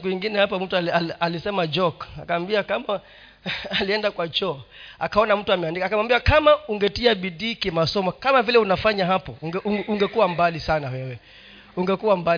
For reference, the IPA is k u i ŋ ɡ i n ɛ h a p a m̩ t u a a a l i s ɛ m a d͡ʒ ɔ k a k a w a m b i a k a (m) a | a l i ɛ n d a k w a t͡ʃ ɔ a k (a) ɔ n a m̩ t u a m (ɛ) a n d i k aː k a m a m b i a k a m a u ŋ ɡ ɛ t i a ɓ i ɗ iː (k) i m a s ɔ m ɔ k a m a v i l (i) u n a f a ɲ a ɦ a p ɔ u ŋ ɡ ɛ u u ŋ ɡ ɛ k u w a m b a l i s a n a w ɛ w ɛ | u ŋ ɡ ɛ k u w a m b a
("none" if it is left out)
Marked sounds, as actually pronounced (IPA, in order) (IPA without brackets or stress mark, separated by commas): m, a, ɛ, k, ɛ